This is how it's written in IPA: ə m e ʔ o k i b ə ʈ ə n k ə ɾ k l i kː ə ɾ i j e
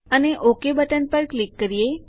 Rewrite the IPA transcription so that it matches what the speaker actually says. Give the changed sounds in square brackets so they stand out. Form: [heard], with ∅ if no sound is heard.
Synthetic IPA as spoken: ə [n] e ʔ o k [e] b ə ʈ ə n [p] ə ɾ k l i kː ə ɾ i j e